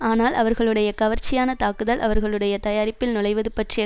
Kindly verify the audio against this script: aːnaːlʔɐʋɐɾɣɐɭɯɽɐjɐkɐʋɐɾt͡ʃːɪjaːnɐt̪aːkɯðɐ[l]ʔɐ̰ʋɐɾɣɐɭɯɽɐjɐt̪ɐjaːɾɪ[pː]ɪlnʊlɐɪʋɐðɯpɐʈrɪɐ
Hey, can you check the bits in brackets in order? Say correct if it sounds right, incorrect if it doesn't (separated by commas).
correct, correct